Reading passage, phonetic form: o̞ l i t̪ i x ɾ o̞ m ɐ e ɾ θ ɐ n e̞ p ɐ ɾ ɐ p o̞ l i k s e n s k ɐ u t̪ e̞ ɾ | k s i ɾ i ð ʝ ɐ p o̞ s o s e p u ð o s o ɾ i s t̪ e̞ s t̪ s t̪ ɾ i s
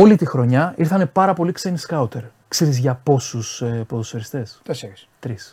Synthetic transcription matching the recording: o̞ l i t̪ i x ɾ o̞ ɲ ɐ i ɾ θ ɐ n e̞ p ɐ ɾ ɐ p o̞ l i k s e n s k ɐ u t̪ e̞ ɾ | k s e ɾ i z ʝ ɐ p o̞ s u s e p o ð o s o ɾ i s t̪ e̞ s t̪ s t̪ ɾ i s